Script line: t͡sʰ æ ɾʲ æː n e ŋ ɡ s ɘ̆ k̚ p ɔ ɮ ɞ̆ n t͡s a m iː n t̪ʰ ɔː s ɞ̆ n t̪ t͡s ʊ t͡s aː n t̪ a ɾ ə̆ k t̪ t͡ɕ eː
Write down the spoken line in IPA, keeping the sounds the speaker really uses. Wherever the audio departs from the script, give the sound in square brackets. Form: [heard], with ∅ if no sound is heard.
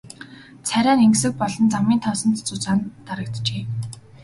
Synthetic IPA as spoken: t͡sʰ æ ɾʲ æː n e ŋ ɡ s ɘ̆ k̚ p ɔ ɮ ɞ̆ n t͡s a m iː n t̪ʰ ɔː s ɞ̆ n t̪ t͡s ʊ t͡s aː n t̪ a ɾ ə̆ k t̪ t͡ɕ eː